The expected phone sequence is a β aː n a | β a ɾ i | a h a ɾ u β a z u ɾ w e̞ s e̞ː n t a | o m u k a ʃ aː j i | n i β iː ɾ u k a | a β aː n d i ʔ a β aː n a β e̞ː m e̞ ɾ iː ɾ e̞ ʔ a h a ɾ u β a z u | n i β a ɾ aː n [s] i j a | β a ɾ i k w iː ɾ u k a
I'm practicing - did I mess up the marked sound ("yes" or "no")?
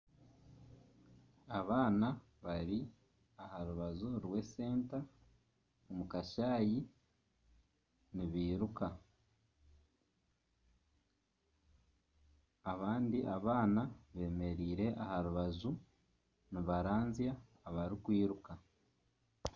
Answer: yes